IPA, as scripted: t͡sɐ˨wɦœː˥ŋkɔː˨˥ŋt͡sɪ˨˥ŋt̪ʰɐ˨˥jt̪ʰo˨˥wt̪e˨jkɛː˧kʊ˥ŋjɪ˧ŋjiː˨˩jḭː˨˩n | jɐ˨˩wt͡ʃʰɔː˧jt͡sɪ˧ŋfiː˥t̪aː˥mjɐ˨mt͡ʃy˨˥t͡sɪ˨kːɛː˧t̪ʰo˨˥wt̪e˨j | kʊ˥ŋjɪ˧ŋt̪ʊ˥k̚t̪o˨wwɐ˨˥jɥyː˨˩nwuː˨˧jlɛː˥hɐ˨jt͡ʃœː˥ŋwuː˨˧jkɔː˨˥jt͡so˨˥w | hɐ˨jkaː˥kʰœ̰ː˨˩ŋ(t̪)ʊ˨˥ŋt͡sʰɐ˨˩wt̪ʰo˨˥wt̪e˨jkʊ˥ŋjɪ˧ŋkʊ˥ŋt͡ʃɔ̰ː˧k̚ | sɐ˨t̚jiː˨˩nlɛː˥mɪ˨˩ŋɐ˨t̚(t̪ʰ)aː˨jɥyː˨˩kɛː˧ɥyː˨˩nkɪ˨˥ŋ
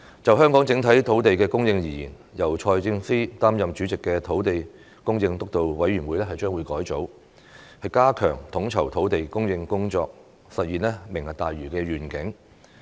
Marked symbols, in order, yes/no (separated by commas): no, no